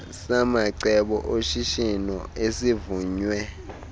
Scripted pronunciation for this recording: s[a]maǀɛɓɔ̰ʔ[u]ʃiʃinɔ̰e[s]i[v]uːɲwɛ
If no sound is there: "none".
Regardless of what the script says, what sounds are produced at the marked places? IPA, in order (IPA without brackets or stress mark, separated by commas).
a, o, s, v